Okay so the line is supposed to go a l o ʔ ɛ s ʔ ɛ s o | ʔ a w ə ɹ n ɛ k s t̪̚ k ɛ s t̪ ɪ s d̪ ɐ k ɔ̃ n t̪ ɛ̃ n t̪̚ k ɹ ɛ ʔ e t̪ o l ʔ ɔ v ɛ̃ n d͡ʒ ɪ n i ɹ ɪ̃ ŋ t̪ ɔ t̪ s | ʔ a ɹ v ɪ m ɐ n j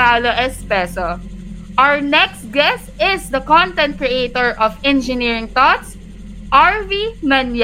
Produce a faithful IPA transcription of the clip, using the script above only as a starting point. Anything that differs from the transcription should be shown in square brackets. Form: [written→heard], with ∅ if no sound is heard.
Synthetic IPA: a l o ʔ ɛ s [ʔ→p] ɛ s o | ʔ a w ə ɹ n ɛ k s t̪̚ [k→ɡ] ɛ s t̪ ɪ s d̪ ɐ k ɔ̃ n t̪ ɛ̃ n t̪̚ k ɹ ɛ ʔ e t̪ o [l→ɹ] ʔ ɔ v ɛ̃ n d͡ʒ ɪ n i ɹ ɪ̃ ŋ t̪ ɔ t̪ s | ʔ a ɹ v [ɪ→i] m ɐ n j